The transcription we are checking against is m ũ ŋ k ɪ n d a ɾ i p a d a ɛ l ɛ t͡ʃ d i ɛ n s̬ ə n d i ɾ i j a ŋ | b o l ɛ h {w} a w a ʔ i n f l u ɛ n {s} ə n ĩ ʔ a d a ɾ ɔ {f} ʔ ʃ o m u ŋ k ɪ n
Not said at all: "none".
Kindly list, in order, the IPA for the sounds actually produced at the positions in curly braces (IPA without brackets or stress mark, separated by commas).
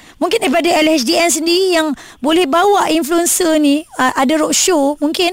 b, s, none